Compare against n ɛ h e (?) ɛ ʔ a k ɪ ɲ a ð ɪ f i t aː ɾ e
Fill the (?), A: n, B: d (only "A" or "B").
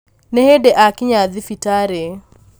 B